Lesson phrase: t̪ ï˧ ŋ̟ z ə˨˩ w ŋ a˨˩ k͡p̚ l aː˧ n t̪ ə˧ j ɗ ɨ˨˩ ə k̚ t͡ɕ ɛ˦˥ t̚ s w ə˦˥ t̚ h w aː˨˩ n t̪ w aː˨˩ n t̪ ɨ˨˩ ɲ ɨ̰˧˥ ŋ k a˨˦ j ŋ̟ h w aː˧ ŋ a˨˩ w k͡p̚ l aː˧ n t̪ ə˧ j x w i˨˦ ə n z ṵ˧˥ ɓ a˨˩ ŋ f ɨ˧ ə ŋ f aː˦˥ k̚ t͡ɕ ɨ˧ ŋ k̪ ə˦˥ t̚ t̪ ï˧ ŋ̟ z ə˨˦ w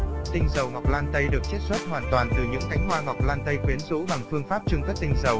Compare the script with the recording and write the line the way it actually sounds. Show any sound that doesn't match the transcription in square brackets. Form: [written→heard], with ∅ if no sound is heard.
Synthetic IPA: t̪ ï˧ ŋ̟ z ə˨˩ w ŋ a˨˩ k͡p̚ l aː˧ n t̪ ə˧ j ɗ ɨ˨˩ ə k̚ t͡ɕ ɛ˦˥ t̚ s w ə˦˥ t̚ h w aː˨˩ n t̪ w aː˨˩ n t̪ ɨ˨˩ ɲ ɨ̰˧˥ ŋ k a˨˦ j ŋ̟ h w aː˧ ŋ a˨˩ w k͡p̚ l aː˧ n t̪ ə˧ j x w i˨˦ ə n z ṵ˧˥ ɓ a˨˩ ŋ f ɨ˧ ə ŋ f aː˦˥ [k̚→p̚] t͡ɕ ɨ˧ ŋ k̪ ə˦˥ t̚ t̪ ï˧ ŋ̟ z [ə˨˦→ə˨˩] w